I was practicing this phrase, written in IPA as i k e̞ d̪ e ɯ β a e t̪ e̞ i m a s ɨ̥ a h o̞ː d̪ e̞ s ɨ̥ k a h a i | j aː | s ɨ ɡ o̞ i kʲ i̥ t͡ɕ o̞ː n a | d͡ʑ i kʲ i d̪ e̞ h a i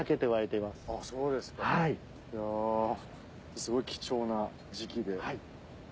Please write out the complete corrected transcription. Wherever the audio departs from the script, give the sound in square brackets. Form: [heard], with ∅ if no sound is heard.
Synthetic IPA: [a] k e̞ [t̪] e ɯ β a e t̪ e̞ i m a s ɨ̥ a [s] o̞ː d̪ e̞ s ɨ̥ k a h a i | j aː | s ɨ ɡ o̞ i kʲ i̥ t͡ɕ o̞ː n a | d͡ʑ i kʲ i d̪ e̞ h a i